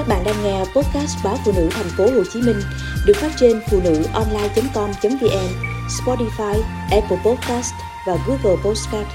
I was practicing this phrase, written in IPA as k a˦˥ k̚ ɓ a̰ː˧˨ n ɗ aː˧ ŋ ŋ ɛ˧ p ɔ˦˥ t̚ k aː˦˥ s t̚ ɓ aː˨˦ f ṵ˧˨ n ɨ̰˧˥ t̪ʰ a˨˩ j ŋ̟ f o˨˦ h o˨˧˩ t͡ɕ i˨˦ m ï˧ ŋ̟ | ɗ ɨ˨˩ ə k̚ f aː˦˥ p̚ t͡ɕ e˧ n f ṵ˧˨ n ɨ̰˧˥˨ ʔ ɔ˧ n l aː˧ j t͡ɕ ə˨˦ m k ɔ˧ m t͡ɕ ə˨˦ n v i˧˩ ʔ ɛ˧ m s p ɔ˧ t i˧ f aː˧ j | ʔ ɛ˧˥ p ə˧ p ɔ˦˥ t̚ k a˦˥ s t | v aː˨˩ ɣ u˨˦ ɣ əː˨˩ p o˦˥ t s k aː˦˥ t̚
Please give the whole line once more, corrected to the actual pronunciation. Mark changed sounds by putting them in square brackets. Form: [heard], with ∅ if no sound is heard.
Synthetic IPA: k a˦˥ k̚ ɓ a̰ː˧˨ n ɗ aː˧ ŋ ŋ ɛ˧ p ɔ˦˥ t̚ k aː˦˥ s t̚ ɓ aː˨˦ f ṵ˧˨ n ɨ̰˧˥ t̪ʰ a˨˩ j ŋ̟ f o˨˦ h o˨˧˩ t͡ɕ i˨˦ m ï˧ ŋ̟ | ɗ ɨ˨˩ ə k̚ f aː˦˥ [t̚] t͡ɕ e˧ n f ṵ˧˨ n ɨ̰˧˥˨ ʔ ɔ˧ n l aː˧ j t͡ɕ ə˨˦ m k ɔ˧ m t͡ɕ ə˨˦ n v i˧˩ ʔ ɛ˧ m s p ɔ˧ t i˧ f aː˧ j | ʔ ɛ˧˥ p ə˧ p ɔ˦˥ t̚ k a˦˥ s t | v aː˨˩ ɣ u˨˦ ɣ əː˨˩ p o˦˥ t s k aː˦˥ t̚